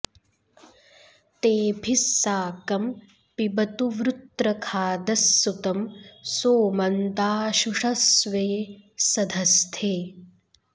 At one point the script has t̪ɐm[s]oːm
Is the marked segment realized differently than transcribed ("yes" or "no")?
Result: no